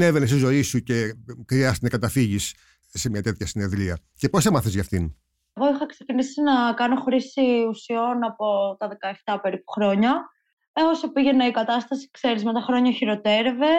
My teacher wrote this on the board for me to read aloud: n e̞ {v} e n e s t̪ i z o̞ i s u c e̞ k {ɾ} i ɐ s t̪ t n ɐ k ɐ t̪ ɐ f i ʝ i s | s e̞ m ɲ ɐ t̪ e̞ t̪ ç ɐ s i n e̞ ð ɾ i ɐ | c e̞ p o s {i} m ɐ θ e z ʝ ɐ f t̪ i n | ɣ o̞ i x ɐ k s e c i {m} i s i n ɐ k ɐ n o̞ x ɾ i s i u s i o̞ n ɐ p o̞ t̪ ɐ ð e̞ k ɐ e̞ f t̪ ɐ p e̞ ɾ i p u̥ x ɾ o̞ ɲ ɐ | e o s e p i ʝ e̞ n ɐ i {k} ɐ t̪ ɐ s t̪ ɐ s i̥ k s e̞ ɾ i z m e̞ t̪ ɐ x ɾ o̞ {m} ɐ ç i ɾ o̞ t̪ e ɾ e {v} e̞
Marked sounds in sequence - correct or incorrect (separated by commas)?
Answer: correct, correct, incorrect, incorrect, correct, incorrect, correct